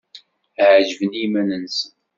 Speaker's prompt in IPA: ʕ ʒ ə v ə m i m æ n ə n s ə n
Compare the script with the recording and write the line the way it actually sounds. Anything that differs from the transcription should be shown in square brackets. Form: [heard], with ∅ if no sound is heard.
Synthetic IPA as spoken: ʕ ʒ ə v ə [n] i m æ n ə n s ə n